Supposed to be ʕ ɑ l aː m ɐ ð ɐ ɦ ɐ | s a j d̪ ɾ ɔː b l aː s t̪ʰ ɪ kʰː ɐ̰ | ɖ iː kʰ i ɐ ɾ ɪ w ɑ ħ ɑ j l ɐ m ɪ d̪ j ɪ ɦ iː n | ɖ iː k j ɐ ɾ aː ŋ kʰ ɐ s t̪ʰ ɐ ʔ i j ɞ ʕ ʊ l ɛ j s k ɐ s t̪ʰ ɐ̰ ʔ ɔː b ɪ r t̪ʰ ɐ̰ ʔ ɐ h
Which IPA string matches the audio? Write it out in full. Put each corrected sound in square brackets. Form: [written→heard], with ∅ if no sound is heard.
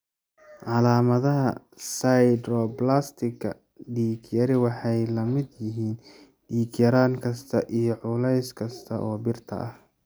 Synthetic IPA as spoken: ʕ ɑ l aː m ɐ ð ɐ ɦ ɐ | s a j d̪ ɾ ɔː b l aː s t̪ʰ ɪ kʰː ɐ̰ | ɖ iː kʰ [i→j] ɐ ɾ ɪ w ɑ ħ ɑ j l ɐ m ɪ d̪ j ɪ ɦ iː n | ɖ iː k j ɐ ɾ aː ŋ kʰ ɐ s t̪ʰ ɐ ʔ i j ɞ ʕ ʊ l ɛ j s [k→kʰ] ɐ s t̪ʰ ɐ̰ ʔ ɔː b ɪ r t̪ʰ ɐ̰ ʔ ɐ h